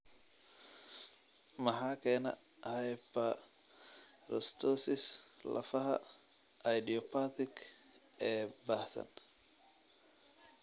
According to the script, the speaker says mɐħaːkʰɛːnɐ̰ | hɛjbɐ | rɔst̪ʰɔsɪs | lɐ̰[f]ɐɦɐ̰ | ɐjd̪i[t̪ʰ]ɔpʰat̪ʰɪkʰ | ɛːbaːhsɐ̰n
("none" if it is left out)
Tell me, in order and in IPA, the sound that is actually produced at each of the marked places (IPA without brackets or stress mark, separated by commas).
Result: f, none